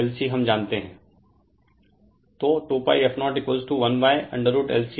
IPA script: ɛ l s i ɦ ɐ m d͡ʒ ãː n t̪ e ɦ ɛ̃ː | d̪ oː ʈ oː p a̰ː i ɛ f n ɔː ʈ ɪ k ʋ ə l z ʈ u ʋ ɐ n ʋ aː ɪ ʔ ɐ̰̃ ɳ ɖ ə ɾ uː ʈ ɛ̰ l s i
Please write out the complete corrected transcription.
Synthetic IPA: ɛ l s i ɦ ɐ m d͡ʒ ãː n t̪ e ɦ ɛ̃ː | t̪ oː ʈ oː p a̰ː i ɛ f n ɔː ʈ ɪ k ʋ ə l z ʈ u ʋ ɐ n ʋ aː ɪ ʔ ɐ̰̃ ɳ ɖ ə ɾ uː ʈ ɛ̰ l s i

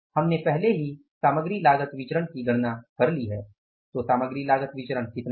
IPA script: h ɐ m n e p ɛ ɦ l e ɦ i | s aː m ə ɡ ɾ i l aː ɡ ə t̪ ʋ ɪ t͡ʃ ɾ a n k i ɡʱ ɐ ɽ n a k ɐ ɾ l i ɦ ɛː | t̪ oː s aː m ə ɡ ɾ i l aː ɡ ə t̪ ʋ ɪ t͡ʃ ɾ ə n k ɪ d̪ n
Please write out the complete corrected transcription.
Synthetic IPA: h ɐ m n e p ɛ ɦ l e ɦ i | s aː m ə ɡ ɾ i l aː ɡ ə t̪ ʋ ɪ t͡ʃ ɾ ə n k i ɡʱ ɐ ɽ n a k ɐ ɾ l i ɦ ɛː | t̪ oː s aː m ə ɡ ɾ i l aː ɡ ə t̪ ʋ ɪ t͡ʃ ɾ ə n k ɪ t̪ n

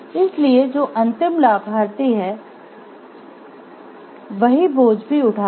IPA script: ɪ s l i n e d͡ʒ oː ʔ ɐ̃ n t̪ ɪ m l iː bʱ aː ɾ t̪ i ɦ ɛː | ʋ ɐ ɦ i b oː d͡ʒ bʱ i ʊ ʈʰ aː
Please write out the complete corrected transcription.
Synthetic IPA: ɪ s l i e d͡ʒ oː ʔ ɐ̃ n t̪ ɪ m l aː bʱ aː ɾ t̪ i ɦ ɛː | ʋ ɐ ɦ i b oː d͡ʒ bʱ i ʊ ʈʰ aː

